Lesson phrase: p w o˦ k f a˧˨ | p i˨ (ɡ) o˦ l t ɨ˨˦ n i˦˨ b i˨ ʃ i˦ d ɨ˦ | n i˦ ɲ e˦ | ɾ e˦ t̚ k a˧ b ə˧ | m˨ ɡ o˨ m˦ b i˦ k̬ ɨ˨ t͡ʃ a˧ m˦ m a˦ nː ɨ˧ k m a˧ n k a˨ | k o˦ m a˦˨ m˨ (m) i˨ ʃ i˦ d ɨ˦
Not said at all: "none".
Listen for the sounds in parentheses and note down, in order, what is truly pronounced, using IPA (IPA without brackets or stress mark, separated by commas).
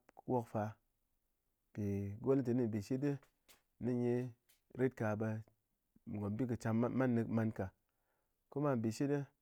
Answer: ɡ, b